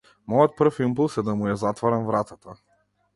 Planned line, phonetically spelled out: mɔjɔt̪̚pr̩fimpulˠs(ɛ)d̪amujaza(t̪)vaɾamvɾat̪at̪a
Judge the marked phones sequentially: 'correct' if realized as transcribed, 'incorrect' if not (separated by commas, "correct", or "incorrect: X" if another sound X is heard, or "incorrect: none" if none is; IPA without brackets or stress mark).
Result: correct, correct